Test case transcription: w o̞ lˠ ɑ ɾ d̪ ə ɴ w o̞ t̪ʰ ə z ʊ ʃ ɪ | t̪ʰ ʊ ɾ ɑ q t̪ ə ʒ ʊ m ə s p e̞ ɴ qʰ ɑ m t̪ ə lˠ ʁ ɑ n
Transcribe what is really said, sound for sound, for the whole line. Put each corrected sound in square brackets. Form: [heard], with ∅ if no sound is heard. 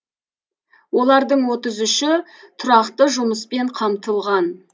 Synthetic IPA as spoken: w o̞ lˠ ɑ ɾ d̪ ə ɴ w o̞ [t̪] ə z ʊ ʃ ɪ | t̪ʰ ʊ ɾ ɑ q t̪ ə ʒ ʊ m ə s p e̞ ɴ qʰ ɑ m t̪ ə lˠ ʁ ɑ n